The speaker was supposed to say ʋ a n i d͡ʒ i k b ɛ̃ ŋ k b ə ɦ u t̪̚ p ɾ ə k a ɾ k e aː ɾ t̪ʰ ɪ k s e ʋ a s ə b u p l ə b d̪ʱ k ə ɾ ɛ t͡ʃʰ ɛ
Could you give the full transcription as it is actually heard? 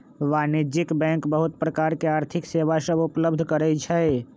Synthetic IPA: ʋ a n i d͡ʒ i k b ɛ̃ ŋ k b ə ɦ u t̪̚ p ɾ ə k a ɾ k e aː ɾ t̪ʰ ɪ k s e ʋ a s ə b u p l ə b d̪ʱ k ə ɾ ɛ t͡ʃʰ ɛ